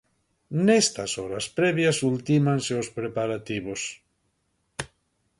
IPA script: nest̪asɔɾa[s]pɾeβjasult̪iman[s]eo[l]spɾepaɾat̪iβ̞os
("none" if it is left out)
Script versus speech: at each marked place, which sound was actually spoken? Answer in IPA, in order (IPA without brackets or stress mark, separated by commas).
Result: s, s, none